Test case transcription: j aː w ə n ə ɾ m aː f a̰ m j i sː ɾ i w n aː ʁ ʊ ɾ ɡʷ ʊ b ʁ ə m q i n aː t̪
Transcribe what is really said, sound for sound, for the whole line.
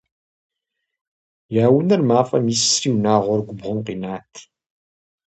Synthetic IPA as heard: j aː w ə n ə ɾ m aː f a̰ m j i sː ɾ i w n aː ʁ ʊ ɾ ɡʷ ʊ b ʁ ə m q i n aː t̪